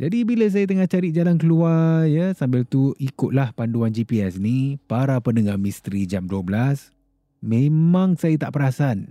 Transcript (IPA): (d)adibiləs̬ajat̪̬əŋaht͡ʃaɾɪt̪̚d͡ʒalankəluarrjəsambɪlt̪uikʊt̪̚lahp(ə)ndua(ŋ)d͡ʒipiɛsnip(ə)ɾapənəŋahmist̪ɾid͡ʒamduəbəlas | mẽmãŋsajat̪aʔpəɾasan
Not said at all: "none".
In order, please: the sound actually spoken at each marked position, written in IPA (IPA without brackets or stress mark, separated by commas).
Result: d͡ʒ, a, n, a